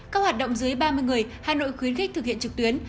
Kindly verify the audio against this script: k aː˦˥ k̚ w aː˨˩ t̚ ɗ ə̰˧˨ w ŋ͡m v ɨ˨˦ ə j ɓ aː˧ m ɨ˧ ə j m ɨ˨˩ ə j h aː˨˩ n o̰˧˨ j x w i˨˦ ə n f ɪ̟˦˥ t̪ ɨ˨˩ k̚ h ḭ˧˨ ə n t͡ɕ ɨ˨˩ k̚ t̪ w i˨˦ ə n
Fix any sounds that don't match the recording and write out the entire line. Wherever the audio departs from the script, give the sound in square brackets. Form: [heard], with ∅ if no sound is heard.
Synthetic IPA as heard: k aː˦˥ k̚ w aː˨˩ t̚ ɗ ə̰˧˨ w ŋ͡m [z] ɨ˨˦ ə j ɓ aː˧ m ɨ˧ ə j [ŋ] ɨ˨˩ ə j h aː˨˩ n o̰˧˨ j x w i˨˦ ə n [x] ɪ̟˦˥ t̪ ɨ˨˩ k̚ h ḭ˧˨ ə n t͡ɕ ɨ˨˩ k̚ t̪ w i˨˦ ə n